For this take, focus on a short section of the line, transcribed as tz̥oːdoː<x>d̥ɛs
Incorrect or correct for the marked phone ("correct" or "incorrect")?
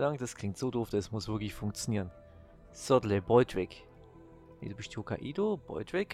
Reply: incorrect